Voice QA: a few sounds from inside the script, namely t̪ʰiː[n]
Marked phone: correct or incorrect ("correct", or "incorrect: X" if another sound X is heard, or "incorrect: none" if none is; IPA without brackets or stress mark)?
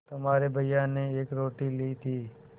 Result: incorrect: none